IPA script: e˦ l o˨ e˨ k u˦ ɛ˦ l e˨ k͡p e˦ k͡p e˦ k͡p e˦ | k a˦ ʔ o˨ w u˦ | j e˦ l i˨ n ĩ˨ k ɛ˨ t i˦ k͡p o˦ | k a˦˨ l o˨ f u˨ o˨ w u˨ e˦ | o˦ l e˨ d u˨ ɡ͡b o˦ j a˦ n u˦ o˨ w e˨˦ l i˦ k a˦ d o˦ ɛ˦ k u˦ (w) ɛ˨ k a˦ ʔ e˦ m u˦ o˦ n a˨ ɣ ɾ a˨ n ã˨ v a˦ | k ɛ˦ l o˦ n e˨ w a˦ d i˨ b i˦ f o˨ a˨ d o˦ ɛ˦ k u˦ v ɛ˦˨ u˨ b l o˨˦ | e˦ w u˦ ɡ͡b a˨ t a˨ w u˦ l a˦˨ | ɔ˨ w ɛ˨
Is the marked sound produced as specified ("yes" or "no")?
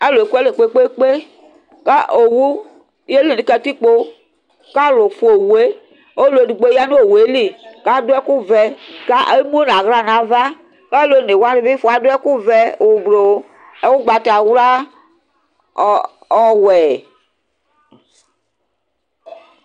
no